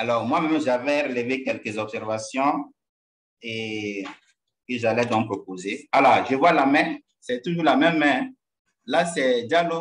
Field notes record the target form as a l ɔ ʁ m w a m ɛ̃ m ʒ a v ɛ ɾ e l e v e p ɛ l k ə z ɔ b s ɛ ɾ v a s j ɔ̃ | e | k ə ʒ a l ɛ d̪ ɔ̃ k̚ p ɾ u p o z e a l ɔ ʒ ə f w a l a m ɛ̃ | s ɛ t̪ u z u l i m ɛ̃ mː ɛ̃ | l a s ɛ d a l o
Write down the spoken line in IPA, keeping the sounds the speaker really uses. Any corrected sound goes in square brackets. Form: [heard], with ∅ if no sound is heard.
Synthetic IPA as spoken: a l ɔ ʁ m w a m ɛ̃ m ʒ a v ɛ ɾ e l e v e [k] ɛ l k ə z ɔ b s ɛ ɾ v a s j ɔ̃ | e | k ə ʒ a l ɛ d̪ ɔ̃ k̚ p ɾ [o] p o z e a l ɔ ʒ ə [v] w a l a m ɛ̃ | s ɛ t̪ u [ʒ] u l [a] m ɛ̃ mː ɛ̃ | l a s ɛ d a l o